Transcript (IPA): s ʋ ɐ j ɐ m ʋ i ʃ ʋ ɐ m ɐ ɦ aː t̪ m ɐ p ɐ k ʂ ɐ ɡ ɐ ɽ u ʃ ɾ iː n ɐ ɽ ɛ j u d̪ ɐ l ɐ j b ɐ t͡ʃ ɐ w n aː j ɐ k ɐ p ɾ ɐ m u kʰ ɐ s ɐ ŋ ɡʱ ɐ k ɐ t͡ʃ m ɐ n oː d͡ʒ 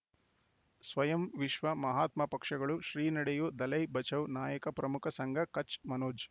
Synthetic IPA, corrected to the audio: s ʋ ɐ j ɐ m ʋ i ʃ ʋ ɐ m ɐ ɦ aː t̪ m ɐ p ɐ k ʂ ɐ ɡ ɐ ɭ u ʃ ɾ iː n ɐ ɽ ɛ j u d̪ ɐ l ɐ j b ɐ t͡ʃ ɐ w n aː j ɐ k ɐ p ɾ ɐ m u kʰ ɐ s ɐ ŋ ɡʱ ɐ k ɐ t͡ʃ m ɐ n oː d͡ʒ